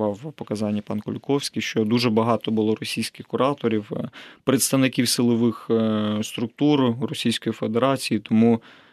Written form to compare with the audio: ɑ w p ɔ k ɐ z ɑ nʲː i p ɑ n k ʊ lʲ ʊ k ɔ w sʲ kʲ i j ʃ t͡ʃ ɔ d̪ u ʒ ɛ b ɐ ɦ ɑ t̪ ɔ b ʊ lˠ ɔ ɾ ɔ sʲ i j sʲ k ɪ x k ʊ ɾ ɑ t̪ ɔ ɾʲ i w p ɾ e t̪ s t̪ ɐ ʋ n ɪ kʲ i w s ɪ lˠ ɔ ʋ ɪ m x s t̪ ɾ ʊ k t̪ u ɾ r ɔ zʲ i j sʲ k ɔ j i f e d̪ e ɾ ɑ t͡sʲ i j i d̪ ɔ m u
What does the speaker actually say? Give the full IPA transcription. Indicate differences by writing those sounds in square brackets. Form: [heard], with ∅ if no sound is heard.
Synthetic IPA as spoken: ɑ w p ɔ k ɐ z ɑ nʲː i p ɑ n k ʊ lʲ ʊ k ɔ w sʲ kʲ i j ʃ t͡ʃ ɔ d̪ u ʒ ɛ b ɐ ɦ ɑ t̪ ɔ b ʊ lˠ ɔ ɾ ɔ sʲ i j sʲ k ɪ x k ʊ ɾ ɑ t̪ ɔ ɾʲ i w p ɾ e t̪ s t̪ ɐ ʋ n ɪ kʲ i w s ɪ lˠ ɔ ʋ ɪ [∅] x s t̪ ɾ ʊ k t̪ u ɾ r ɔ [sʲ] i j sʲ k ɔ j i f e d̪ e ɾ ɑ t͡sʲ i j i [t̪] ɔ m u